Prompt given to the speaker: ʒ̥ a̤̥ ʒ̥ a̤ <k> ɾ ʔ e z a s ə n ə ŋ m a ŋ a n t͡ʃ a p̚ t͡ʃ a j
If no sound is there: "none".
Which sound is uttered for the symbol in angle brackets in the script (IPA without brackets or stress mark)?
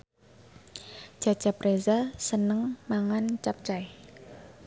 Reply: p